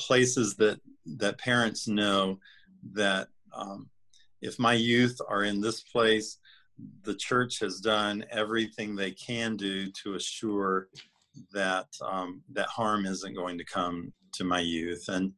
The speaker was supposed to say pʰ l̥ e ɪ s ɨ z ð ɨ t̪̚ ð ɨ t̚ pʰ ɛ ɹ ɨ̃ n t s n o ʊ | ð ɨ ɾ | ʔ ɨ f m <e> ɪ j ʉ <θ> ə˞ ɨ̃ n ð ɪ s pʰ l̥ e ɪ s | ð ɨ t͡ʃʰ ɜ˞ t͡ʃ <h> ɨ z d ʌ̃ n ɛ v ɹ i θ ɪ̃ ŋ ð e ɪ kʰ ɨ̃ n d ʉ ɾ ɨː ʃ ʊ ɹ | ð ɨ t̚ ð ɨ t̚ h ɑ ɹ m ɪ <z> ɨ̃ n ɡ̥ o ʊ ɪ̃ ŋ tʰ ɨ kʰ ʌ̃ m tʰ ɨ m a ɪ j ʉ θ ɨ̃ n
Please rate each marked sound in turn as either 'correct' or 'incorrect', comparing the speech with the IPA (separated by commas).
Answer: incorrect, correct, correct, correct